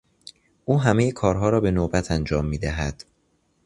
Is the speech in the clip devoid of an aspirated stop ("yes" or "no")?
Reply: no